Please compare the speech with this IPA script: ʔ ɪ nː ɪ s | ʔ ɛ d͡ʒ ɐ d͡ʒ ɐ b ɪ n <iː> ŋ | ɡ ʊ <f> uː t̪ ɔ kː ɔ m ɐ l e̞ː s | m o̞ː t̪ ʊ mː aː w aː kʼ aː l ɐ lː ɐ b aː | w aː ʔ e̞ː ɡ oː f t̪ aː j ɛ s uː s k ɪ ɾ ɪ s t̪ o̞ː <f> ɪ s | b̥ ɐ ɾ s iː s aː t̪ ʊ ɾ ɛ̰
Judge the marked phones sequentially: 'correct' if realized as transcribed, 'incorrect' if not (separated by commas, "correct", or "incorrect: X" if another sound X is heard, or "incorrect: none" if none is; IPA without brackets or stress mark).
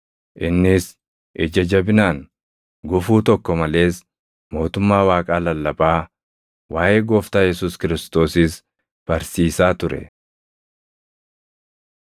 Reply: incorrect: aː, correct, incorrect: s